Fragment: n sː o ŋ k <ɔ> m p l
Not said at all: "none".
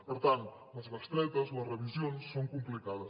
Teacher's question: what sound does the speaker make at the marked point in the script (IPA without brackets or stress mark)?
u